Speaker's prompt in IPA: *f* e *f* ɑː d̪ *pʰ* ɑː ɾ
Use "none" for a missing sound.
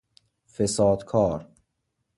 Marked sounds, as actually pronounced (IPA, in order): f, s, kʰ

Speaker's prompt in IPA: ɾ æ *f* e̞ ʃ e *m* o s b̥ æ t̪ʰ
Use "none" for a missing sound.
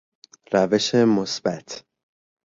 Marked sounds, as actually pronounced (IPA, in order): v, m

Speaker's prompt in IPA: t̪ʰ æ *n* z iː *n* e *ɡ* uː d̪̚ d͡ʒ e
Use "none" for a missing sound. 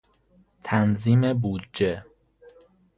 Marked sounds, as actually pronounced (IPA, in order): n, m, b

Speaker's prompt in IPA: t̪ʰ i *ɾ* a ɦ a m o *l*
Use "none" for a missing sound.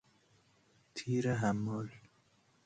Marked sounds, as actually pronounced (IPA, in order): ɾ, l

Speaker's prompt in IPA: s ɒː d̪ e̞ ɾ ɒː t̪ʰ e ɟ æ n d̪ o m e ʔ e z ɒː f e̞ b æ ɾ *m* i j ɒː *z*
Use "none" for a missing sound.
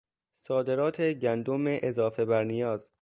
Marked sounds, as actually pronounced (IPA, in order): n, z

